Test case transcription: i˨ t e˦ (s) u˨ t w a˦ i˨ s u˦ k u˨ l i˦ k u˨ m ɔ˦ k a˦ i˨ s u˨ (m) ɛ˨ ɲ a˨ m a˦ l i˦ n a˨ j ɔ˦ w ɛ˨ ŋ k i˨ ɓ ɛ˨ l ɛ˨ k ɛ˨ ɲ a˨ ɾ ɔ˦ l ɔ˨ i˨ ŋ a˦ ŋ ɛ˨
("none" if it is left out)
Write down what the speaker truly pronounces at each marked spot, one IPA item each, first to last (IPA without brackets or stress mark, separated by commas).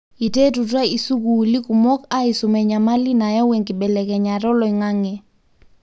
t, m